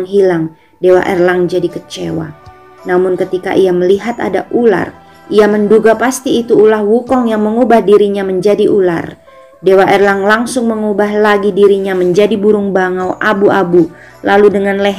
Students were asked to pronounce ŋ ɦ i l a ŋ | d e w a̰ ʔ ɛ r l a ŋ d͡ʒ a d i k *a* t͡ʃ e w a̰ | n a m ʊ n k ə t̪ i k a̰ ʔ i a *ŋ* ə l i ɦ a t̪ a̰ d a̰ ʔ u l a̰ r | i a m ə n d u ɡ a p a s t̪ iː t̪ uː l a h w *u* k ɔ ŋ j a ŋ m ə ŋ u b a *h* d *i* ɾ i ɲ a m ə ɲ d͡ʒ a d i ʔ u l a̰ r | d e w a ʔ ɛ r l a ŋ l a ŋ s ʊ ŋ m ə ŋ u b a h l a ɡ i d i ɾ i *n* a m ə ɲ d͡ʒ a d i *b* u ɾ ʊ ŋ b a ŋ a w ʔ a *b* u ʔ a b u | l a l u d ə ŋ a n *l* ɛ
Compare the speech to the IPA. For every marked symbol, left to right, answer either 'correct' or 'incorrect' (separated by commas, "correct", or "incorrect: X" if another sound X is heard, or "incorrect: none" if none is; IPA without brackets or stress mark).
incorrect: ə, incorrect: m, correct, correct, correct, incorrect: ɲ, correct, correct, correct